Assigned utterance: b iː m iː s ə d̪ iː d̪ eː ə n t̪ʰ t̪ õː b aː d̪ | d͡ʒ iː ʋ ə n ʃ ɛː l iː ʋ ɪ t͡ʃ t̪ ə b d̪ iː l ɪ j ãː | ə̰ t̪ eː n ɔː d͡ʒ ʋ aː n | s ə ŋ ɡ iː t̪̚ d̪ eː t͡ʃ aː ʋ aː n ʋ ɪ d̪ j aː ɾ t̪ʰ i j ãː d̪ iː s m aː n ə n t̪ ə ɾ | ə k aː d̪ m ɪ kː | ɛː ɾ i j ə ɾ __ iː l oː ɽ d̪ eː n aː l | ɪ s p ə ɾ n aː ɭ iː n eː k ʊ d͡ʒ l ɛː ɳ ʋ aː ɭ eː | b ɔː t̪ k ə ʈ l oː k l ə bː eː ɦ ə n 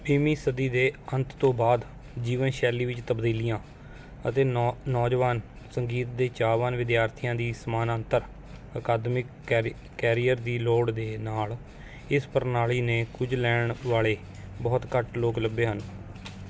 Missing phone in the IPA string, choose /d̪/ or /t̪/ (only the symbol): d̪